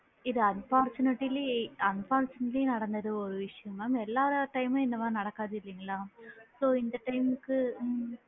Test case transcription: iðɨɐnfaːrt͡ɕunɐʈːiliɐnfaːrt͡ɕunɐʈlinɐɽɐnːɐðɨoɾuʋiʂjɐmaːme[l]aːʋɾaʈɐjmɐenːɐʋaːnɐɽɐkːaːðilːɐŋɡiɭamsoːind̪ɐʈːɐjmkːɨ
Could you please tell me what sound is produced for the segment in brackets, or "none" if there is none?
lː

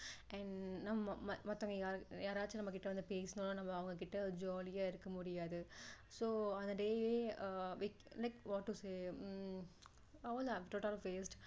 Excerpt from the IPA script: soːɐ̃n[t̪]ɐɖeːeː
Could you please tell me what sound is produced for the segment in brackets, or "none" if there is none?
d̪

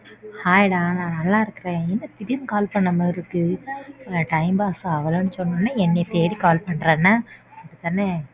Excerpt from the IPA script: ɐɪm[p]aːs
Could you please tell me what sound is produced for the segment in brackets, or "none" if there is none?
b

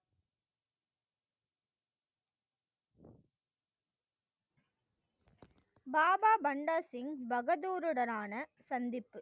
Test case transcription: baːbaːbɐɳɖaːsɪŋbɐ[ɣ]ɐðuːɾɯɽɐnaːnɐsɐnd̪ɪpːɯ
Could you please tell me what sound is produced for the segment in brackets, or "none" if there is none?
ɣ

